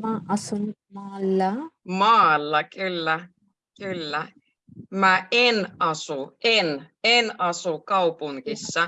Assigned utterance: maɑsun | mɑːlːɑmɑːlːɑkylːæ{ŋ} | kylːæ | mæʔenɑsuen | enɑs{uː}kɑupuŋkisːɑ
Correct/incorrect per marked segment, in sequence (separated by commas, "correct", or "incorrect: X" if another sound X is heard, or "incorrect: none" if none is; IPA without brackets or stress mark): incorrect: none, incorrect: u